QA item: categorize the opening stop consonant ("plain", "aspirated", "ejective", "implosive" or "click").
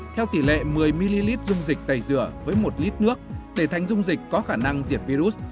aspirated